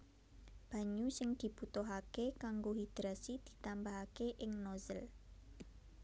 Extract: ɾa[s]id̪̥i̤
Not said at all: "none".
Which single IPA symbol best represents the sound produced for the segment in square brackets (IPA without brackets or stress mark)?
s